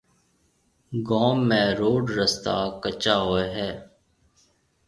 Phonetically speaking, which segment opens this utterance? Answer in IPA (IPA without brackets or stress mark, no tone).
ɡ